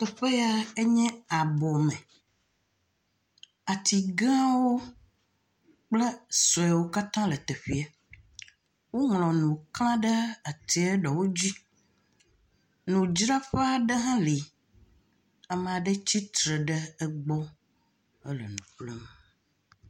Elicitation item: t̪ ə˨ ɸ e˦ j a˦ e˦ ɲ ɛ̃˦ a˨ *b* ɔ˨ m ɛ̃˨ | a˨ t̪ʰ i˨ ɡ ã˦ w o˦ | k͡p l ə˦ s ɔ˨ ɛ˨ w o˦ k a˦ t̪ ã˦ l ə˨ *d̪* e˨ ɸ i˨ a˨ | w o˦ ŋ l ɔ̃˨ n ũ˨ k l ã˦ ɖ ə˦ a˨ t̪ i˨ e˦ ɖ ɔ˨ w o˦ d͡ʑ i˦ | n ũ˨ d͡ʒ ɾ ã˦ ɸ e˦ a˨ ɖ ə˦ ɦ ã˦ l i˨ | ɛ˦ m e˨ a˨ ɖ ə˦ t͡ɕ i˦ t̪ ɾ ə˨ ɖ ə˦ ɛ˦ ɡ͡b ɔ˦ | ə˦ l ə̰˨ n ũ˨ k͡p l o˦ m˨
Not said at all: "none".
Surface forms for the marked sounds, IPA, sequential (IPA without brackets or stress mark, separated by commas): b, t̪